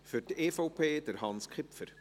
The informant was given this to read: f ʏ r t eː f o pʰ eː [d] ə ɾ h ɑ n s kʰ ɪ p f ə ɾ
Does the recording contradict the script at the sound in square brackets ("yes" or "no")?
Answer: no